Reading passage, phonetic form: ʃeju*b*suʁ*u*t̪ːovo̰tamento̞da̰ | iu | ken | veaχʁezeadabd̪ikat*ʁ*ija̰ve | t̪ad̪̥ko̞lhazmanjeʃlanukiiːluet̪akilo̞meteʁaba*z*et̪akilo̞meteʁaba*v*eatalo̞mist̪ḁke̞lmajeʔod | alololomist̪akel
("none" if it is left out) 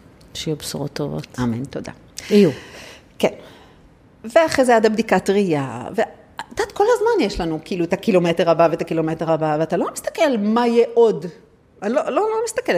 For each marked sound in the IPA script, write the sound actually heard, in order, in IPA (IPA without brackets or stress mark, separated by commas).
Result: b, o, ʁ, v, v